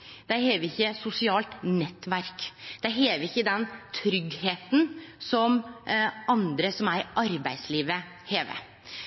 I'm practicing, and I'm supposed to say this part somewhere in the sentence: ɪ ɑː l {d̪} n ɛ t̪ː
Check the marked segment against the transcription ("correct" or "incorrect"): incorrect